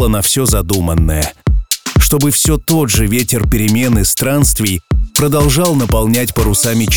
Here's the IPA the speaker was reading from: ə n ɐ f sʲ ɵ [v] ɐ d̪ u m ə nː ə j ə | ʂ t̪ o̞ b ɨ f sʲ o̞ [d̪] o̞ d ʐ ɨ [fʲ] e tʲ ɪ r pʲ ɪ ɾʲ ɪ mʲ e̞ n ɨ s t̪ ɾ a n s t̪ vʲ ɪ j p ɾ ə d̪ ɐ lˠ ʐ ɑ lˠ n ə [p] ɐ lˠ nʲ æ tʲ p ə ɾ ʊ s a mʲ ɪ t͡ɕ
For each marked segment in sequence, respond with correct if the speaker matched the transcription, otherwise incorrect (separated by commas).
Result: incorrect, incorrect, incorrect, correct